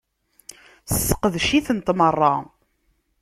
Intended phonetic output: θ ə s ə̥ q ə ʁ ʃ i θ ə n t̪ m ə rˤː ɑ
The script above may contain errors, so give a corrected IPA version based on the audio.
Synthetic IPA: s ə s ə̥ q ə ð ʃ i θ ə n t̪ m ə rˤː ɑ